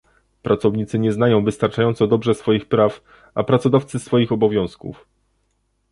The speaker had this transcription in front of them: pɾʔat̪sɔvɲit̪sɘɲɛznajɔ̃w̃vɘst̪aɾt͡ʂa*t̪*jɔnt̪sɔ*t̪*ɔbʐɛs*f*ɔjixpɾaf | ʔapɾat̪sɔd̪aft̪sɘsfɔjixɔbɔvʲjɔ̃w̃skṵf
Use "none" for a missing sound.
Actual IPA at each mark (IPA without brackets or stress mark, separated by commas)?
none, d̪, f